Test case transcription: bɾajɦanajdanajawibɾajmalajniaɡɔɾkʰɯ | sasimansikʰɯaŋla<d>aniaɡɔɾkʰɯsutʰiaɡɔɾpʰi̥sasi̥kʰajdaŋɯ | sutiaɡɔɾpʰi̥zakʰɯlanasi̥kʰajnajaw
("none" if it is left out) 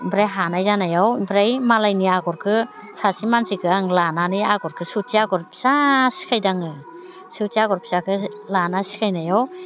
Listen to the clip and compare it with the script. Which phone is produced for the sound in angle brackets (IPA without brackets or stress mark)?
n